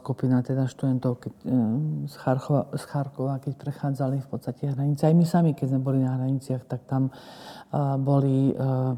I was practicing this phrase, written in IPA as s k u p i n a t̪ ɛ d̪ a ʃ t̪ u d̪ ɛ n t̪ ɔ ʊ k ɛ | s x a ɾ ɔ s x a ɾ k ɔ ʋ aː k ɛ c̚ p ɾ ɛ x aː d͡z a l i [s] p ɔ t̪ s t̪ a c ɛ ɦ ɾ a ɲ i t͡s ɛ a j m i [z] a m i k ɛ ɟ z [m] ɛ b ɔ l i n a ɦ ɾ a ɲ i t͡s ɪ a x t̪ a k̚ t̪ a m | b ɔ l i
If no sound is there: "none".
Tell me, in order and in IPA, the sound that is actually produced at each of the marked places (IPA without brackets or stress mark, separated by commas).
f, s, m